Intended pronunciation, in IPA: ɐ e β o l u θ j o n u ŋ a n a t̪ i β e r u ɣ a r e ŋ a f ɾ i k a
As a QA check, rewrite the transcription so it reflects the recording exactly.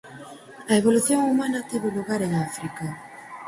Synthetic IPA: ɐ e β o l u θ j o ŋ u m a n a t̪ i β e l u ɣ a ɾ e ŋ a f ɾ i k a

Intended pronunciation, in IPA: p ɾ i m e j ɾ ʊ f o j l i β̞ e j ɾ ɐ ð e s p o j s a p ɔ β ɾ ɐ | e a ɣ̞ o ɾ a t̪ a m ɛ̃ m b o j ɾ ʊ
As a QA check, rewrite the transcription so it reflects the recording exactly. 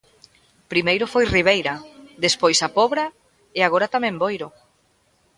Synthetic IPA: p ɾ i m e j ɾ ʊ f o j r i β̞ e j ɾ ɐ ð e s p o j s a p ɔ β ɾ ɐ | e a ɣ̞ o ɾ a t̪ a m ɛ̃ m b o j ɾ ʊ

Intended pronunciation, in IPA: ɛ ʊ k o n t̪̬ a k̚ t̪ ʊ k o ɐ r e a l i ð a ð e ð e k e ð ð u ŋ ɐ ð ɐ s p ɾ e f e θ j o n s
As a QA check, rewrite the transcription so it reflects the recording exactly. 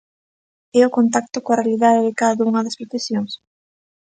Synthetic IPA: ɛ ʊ k o n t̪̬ a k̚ t̪ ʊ k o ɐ r e a l i ð a ð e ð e k a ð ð u ŋ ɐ ð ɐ s p ɾ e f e s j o ŋ s

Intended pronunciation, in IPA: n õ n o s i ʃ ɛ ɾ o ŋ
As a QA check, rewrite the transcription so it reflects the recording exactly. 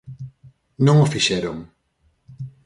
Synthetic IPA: n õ ŋ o f i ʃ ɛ ɾ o ŋ

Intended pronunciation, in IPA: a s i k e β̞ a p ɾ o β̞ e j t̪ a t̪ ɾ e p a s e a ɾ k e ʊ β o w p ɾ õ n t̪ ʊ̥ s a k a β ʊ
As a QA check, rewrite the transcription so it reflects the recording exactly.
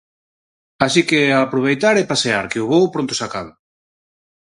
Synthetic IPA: a s i k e a p ɾ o β̞ e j t̪ a ɾ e p a s e a ɾ k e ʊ β o w p ɾ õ n t̪ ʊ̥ s a k a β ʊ

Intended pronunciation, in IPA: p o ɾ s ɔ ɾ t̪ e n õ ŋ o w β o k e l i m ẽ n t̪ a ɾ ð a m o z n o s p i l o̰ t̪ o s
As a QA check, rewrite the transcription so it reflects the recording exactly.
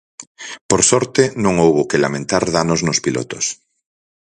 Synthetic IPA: p o ɾ s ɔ ɾ t̪ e n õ ŋ o w β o k e l a m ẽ n t̪ a ɾ ð a n o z n o s p i l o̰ t̪ o s

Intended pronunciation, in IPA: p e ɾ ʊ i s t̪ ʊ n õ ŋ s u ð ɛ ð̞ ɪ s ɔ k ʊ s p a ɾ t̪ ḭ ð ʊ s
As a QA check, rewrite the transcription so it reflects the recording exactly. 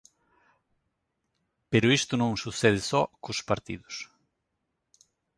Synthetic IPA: p e ɾ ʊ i s t̪ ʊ n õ ŋ s u θ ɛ ð̞ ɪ s ɔ k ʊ s p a ɾ t̪ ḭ ð ʊ s

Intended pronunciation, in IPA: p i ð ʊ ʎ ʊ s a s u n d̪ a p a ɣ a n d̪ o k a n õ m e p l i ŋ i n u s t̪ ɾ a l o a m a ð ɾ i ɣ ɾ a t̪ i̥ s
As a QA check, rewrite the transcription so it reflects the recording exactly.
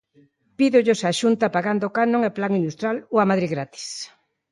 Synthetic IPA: p i ð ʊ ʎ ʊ s a ʃ u n t̪ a p a ɣ a n d̪ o k a n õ ŋ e p l a ŋ i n u s t̪ ɾ a l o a m a ð ɾ i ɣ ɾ a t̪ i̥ s

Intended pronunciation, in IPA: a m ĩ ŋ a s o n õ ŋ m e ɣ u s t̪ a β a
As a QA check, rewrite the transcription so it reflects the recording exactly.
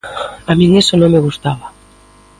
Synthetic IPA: a m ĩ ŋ e s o n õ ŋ m e ɣ u s t̪ a β a

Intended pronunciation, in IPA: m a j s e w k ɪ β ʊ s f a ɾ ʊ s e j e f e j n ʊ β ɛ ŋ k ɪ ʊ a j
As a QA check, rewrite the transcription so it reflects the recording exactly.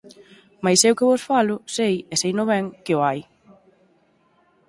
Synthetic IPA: m a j s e w k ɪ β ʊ s f a l ʊ s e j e s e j n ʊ β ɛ ŋ k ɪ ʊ a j

